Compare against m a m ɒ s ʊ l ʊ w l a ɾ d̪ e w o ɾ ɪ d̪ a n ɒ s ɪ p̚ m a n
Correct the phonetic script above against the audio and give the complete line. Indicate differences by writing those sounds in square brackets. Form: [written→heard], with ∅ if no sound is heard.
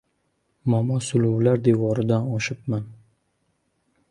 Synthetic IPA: m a m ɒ s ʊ l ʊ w l a ɾ d̪ e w [o→ɒ] ɾ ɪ d̪ a n ɒ [s→ʃ] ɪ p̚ m a n